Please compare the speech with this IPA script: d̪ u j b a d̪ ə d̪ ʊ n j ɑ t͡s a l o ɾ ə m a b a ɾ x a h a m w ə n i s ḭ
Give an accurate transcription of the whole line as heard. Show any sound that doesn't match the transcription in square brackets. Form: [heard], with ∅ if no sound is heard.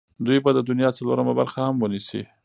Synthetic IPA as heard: d̪ u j b a d̪ ə d̪ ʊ n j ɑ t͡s a l o ɾ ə m a b a ɾ x a h a m w ə n i s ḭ